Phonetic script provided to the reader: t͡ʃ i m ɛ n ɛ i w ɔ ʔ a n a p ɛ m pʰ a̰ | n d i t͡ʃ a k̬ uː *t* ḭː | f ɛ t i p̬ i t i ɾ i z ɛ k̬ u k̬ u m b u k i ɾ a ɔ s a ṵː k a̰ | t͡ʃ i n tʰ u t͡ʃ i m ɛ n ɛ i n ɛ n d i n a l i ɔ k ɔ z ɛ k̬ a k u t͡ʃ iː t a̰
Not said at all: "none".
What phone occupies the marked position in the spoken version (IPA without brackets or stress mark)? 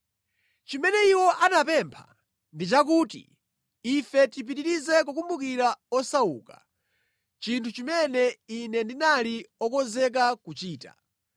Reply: t